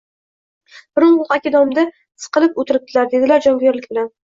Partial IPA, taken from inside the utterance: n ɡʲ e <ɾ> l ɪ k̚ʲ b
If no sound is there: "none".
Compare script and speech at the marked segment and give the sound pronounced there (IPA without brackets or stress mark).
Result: ɾ